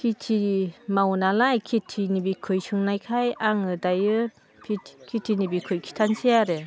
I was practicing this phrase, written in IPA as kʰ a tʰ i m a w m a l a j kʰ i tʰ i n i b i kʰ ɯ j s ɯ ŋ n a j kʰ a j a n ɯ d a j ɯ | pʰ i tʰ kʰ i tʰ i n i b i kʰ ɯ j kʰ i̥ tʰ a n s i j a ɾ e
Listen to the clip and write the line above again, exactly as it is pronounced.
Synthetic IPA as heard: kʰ i tʰ i m a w n a l a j kʰ i tʰ i n i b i kʰ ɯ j s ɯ ŋ n a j kʰ a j a ŋ ɯ d a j ɯ | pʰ i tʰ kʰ i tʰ i n i b i kʰ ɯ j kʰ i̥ tʰ a n s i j a ɾ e